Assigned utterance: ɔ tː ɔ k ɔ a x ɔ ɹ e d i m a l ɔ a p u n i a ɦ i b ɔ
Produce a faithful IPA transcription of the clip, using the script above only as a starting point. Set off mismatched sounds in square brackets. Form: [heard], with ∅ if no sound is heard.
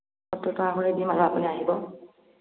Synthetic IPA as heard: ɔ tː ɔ [t] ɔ a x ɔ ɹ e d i m a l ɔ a p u n i a ɦ i b ɔ